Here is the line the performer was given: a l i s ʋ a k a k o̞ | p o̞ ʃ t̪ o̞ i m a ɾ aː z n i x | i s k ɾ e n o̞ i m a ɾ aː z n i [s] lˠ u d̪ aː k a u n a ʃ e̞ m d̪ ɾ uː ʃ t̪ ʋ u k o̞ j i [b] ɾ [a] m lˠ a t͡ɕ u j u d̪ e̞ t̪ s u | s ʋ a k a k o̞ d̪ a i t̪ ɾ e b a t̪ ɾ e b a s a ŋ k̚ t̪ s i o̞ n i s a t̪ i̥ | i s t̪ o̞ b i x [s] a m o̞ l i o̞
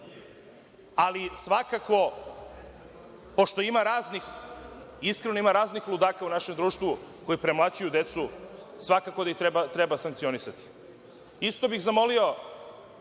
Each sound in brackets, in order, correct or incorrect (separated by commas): incorrect, incorrect, incorrect, incorrect